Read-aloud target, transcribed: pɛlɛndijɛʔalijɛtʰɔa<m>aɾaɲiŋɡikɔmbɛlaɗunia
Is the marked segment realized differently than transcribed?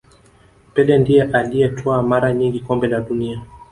no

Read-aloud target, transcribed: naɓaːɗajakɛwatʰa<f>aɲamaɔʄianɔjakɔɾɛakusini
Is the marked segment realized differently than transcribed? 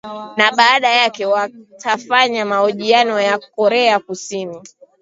no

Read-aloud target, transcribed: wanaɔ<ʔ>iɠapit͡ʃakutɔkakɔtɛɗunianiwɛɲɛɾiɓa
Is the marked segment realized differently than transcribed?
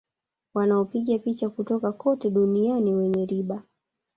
yes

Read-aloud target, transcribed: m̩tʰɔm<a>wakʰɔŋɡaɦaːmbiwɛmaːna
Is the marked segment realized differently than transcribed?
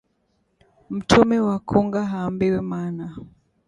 yes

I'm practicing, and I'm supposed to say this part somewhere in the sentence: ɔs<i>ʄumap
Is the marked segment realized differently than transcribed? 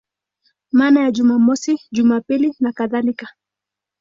no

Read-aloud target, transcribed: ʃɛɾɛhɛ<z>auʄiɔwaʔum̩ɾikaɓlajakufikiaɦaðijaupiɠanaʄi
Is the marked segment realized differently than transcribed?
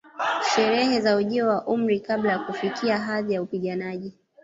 no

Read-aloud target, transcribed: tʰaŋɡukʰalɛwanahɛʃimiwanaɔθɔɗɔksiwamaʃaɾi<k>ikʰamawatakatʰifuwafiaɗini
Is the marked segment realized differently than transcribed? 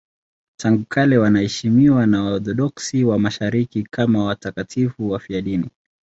no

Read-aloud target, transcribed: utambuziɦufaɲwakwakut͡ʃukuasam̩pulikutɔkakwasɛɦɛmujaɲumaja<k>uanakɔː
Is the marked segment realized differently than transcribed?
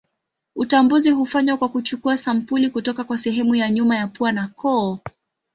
yes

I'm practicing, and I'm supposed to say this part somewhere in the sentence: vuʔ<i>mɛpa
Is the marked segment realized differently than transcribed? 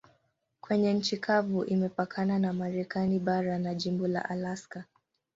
no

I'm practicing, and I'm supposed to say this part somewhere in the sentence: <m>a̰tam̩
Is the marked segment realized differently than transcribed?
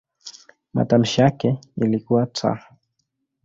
no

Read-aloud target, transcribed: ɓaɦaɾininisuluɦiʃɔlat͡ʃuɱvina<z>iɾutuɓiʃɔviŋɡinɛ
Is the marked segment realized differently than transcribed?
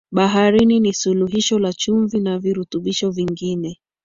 yes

